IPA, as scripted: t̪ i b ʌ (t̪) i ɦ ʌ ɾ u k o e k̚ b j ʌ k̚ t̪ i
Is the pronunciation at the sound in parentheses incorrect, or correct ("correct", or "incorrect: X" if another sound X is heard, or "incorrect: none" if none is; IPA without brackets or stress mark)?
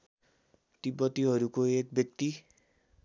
correct